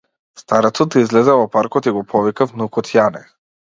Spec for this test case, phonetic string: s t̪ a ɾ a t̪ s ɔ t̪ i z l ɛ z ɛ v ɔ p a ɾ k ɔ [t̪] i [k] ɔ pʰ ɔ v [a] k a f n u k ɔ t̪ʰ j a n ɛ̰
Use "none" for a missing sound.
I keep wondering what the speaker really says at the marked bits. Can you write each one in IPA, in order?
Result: t̪, ɡ, i

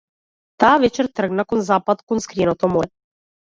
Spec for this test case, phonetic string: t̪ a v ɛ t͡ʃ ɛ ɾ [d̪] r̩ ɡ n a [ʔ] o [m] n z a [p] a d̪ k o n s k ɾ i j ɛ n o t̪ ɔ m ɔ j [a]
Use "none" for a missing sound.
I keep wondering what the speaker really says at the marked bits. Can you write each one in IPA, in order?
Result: t̪, k, none, p, ɛ

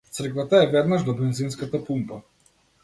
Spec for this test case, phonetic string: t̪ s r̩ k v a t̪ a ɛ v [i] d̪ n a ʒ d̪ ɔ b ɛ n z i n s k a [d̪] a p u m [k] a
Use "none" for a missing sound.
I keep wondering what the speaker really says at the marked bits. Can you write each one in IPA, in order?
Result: ɛ, t̪, p

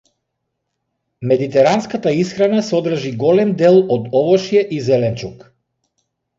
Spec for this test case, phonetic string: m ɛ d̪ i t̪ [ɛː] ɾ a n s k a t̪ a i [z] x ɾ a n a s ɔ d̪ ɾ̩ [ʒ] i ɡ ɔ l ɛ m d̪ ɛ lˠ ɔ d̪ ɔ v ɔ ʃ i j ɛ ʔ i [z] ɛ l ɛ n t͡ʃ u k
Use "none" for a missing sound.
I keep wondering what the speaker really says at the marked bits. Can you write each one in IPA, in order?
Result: ɛ, s, ʒ, z

